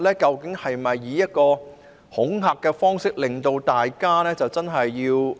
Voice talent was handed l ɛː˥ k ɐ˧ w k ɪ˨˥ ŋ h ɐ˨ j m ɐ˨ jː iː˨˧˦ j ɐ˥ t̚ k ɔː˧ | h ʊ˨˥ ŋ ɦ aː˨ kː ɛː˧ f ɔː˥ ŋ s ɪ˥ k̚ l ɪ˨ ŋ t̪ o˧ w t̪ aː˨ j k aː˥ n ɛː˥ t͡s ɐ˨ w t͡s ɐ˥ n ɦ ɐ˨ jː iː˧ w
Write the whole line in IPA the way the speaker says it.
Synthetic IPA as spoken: l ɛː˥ k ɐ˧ w k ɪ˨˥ ŋ h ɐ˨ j m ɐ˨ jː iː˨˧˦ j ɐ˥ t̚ k ɔː˧ | h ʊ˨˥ ŋ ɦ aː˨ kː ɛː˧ f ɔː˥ ŋ s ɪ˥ k̚ l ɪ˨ ŋ t̪ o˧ w t̪ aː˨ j k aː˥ n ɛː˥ t͡s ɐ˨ w t͡s ɐ˥ n ɦ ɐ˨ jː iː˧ w